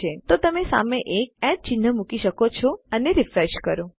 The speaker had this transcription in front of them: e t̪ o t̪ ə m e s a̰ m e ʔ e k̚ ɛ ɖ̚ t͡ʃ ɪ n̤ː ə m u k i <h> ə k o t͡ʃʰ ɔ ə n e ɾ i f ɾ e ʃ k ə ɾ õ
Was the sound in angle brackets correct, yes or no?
no